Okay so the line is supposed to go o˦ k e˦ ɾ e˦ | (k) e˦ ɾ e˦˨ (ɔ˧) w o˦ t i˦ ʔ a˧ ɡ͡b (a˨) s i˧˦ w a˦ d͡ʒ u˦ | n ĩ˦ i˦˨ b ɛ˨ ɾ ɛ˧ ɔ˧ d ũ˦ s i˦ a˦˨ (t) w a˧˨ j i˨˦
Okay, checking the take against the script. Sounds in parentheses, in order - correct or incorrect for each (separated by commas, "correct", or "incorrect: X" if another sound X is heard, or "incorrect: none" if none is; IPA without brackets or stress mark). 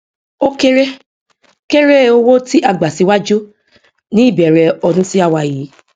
correct, incorrect: o˧, correct, incorrect: none